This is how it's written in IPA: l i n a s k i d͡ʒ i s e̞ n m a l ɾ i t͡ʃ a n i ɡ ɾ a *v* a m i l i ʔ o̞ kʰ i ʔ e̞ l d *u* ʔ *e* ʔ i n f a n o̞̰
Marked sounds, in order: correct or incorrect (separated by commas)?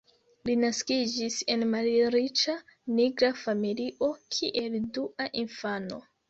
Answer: incorrect, correct, incorrect